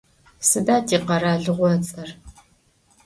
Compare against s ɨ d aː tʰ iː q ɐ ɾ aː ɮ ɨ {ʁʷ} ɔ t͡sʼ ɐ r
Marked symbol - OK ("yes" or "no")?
yes